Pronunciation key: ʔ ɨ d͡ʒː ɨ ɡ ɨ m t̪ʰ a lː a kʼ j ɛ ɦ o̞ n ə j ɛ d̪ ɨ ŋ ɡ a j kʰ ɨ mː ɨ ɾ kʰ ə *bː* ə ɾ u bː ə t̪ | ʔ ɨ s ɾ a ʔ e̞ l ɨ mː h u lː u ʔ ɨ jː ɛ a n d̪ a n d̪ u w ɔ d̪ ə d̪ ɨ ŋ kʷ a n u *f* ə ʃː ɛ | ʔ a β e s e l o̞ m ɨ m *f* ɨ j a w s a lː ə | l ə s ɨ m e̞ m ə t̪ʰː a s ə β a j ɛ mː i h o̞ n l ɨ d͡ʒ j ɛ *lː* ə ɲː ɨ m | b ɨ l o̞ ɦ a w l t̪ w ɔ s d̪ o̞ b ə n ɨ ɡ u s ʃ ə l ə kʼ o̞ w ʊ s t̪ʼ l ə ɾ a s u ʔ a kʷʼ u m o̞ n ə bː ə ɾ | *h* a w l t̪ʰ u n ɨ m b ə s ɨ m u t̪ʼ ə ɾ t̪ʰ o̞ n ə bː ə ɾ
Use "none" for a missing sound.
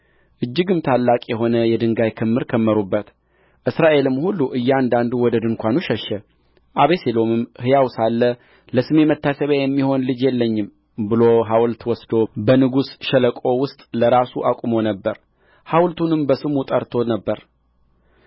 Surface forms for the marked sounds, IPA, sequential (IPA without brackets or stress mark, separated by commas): mː, ʃ, h, lː, h